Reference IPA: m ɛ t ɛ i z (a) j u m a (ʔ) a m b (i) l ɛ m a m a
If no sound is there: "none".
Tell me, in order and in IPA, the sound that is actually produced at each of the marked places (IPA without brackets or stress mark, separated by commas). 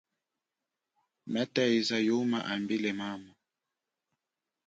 a, ʔ, i